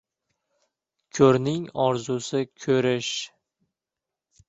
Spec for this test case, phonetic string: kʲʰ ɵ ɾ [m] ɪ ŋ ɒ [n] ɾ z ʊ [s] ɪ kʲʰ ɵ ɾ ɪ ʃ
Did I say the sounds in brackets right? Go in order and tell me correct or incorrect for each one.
incorrect: n, incorrect: none, correct

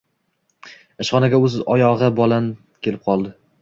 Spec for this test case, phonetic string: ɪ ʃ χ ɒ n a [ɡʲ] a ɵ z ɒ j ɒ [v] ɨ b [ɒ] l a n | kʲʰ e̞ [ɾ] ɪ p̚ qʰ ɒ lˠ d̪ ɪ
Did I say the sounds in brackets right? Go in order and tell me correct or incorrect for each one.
correct, incorrect: ʁ, correct, incorrect: l

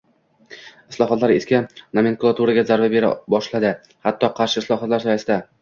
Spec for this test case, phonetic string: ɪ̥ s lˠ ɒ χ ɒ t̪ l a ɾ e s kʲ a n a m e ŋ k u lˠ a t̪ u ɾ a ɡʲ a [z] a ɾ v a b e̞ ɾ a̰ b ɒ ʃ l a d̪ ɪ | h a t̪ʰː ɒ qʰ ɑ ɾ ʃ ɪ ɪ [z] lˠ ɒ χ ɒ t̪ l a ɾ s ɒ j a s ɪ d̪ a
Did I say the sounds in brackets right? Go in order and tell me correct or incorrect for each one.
correct, incorrect: s

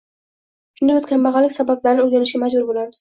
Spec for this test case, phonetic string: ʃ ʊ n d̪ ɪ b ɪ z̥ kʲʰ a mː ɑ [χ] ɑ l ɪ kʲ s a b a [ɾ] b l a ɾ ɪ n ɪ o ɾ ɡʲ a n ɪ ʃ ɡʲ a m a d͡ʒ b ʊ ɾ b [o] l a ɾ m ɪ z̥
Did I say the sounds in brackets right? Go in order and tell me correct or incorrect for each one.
incorrect: ʁ, incorrect: none, correct

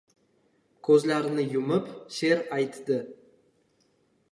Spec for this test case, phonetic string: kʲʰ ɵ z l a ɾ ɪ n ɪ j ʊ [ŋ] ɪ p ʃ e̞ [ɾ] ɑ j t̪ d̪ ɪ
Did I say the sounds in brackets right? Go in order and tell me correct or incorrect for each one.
incorrect: m, correct

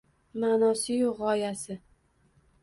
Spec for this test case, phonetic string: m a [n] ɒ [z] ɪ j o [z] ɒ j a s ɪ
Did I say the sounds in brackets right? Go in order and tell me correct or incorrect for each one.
correct, incorrect: s, incorrect: ʁ

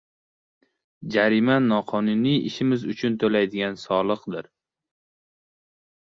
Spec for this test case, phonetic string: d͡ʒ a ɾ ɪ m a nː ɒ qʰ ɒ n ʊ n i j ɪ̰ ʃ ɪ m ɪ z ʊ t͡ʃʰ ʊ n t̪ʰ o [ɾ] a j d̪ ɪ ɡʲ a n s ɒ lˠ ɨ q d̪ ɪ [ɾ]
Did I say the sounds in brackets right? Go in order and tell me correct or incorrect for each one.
incorrect: l, correct

